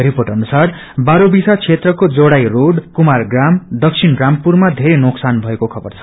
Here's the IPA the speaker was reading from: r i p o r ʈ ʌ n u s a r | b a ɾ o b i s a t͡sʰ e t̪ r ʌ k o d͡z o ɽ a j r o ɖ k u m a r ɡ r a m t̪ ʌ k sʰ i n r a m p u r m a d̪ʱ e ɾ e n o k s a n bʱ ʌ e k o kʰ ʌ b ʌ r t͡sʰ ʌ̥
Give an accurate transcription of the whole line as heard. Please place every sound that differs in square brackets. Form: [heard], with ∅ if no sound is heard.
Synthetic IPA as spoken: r i p o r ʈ ʌ n u s a r | b a ɾ o b i s a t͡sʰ e t̪ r ʌ k o d͡z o ɽ a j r o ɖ k u m a r ɡ r a m [d̪] ʌ k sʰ i n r a m p u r m a d̪ʱ e ɾ e n o k s a n bʱ ʌ e k o kʰ ʌ b ʌ r t͡sʰ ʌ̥